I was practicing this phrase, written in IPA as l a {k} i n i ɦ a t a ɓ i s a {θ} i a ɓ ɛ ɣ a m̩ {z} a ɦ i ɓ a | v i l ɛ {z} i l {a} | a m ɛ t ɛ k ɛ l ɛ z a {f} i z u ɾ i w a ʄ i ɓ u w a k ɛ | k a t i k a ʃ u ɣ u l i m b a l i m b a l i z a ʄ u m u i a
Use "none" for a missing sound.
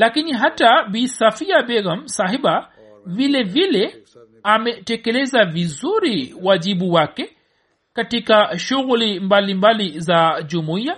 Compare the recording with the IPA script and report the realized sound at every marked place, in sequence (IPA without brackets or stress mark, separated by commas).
k, f, s, v, ɛ, v